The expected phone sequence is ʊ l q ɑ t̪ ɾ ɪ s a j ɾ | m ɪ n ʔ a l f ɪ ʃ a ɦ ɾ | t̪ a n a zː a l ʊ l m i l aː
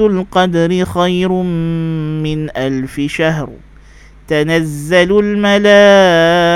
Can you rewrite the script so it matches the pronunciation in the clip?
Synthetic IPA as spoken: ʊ l q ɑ d̪ ɾ ɪ x a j ɾ | m ɪ n ʔ a l f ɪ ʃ a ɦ ɾ | t̪ a n a zː a l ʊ l m a l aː